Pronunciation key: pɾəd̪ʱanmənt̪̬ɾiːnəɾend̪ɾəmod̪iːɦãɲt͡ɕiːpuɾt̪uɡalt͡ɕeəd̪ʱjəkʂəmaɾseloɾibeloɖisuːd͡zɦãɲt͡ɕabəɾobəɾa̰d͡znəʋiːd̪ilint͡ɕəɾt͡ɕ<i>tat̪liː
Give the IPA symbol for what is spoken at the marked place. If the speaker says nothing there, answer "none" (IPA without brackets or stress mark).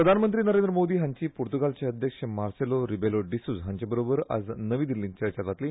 a